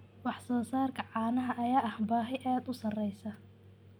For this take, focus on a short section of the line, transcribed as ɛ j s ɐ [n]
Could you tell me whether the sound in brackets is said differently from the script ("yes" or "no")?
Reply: yes